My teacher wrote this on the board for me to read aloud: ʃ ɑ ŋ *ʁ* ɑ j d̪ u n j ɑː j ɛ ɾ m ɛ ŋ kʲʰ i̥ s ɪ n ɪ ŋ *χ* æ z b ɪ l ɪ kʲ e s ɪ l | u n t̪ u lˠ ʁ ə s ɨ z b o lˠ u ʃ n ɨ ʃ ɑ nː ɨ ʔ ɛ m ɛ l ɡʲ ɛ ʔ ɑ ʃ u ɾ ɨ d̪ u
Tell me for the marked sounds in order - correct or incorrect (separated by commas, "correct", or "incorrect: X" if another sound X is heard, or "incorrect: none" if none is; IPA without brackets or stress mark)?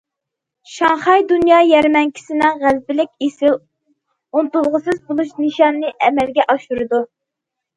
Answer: incorrect: χ, incorrect: ʁ